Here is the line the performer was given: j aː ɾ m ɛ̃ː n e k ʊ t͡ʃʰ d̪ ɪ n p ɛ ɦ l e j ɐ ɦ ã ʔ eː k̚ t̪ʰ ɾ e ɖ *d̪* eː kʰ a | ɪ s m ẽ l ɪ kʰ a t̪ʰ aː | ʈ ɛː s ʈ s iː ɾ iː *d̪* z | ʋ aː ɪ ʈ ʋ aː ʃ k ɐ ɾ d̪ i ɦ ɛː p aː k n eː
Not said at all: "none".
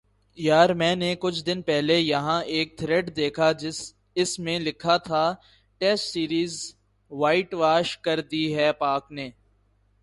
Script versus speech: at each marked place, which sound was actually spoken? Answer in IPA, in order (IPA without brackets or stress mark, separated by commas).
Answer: d̪, none